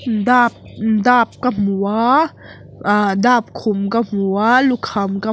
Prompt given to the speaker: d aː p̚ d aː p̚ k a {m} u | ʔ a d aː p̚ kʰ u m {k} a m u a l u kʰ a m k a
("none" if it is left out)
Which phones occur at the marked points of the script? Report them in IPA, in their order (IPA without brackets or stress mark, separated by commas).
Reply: m, k